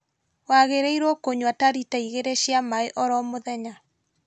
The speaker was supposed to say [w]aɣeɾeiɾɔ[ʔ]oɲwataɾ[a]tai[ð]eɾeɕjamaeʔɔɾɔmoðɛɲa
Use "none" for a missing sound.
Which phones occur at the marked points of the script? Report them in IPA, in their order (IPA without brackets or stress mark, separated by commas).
w, k, i, ɣ